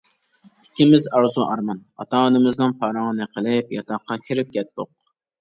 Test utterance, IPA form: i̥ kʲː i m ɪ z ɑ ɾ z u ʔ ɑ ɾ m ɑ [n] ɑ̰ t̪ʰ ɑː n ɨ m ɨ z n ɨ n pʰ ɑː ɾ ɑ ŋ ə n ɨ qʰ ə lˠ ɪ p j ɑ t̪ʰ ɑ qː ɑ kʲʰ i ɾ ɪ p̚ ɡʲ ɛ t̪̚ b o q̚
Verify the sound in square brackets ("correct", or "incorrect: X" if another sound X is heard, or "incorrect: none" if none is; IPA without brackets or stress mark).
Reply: correct